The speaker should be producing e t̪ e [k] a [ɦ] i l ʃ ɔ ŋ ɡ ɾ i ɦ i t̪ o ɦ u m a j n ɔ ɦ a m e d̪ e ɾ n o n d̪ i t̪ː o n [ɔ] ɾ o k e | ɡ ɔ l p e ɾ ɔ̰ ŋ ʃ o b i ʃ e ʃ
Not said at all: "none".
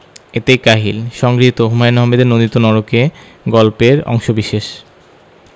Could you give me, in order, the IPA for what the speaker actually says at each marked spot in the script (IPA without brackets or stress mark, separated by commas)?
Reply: k, ɦ, ɔ